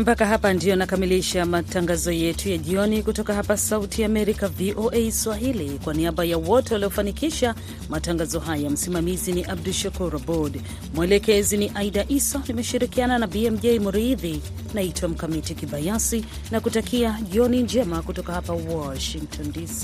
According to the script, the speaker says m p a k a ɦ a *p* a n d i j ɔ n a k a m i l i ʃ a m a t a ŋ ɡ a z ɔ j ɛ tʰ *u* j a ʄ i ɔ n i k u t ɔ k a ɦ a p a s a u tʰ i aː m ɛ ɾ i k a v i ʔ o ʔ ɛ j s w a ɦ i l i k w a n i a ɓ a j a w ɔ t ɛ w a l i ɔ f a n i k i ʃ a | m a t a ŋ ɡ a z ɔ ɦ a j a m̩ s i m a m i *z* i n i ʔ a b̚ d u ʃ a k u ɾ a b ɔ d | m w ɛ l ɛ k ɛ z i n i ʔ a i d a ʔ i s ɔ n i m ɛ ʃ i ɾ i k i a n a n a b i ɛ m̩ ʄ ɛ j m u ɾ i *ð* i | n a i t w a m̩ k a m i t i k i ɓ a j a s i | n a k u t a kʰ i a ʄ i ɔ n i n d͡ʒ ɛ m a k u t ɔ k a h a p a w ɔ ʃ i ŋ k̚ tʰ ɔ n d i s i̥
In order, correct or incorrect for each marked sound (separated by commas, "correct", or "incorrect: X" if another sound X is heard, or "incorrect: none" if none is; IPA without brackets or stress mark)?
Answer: correct, correct, correct, correct